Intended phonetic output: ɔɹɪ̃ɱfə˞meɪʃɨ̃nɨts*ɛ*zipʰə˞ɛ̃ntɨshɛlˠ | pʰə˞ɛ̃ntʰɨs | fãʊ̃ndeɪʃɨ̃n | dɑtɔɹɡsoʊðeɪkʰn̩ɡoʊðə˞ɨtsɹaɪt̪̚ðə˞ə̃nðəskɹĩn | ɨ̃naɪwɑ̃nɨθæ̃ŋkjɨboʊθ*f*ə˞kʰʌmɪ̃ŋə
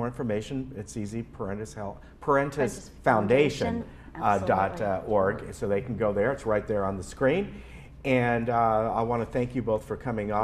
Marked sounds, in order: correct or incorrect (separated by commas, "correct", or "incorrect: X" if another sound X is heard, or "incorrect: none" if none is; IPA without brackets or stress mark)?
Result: incorrect: i, correct